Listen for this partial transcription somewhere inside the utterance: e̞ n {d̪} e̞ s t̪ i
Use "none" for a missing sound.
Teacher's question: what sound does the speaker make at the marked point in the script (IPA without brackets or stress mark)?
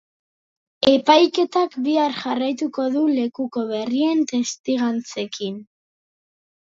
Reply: t̪